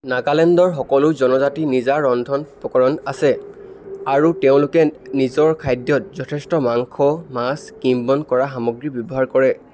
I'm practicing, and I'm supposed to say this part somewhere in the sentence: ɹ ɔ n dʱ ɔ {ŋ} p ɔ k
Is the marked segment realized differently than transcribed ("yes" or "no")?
yes